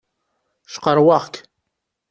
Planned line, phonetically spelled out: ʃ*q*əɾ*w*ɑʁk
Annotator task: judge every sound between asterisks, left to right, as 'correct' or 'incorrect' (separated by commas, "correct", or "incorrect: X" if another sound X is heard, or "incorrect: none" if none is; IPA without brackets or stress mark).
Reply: correct, correct